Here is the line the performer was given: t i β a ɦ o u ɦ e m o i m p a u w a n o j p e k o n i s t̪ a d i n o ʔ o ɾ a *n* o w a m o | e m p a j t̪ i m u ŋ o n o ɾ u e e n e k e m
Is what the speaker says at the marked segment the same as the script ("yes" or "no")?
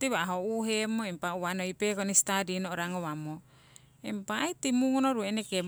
no